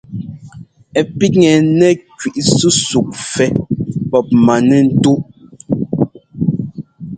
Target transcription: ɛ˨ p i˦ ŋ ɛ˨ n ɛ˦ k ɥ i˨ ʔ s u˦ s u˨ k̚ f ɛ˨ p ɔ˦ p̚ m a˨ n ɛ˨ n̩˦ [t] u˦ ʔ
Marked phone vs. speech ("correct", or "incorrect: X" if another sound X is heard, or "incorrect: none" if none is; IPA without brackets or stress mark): correct